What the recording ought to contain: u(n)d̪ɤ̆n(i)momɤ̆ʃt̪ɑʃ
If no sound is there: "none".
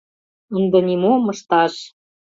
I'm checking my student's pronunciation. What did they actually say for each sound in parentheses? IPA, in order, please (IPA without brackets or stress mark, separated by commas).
n, i